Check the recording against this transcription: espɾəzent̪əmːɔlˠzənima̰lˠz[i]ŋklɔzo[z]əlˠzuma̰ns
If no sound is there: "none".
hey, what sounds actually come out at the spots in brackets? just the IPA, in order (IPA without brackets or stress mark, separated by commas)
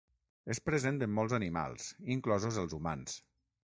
i, z